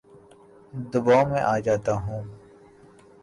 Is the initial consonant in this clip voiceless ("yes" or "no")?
no